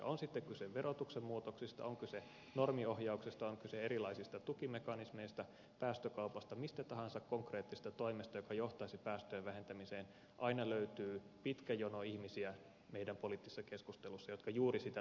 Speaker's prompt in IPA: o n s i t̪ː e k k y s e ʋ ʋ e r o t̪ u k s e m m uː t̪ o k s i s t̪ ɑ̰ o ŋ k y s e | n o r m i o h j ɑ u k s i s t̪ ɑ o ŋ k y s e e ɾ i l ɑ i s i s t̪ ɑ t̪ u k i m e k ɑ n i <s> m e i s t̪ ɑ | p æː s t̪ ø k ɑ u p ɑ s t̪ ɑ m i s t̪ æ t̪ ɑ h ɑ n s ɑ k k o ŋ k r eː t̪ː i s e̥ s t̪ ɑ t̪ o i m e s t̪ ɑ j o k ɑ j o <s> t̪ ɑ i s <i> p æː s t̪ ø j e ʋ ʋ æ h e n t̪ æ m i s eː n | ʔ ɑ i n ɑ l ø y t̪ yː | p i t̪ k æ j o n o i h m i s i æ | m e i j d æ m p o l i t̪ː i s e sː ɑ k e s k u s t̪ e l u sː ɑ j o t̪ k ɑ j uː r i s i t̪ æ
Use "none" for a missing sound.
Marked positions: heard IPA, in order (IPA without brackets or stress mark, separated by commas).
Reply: s, h, i